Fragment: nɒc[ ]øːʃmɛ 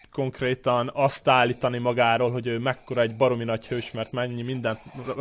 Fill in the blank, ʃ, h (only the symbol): h